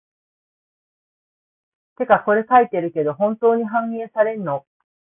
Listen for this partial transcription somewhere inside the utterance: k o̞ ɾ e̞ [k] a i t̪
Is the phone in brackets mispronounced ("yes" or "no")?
no